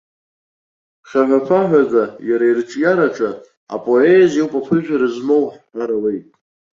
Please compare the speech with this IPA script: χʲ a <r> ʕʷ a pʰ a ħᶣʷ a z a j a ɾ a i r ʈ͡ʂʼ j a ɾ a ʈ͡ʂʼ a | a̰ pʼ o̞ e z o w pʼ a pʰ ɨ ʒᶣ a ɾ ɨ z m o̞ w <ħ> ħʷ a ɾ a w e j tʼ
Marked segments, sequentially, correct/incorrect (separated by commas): incorrect, correct